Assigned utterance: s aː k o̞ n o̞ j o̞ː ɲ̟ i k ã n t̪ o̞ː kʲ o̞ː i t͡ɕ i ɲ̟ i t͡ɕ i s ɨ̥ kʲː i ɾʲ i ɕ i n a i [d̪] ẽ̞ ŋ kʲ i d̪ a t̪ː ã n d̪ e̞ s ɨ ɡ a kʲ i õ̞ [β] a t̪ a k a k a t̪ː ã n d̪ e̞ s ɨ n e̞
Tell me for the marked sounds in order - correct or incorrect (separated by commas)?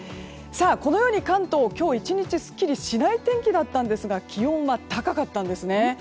incorrect, correct